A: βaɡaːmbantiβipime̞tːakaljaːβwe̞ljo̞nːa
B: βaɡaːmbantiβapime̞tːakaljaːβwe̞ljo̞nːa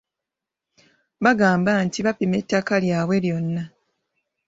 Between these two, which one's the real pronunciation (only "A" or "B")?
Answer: B